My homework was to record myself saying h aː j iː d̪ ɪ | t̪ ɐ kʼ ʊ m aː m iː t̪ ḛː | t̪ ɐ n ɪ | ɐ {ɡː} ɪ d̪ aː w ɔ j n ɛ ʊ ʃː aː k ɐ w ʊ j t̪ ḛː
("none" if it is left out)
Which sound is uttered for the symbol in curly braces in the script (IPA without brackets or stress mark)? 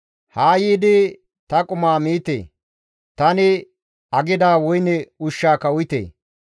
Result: ɡ